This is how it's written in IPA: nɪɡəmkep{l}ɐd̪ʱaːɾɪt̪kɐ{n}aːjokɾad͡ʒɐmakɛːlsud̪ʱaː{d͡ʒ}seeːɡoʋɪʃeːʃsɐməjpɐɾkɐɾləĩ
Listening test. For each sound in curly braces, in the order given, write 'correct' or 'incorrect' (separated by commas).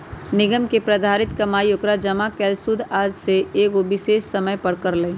incorrect, incorrect, correct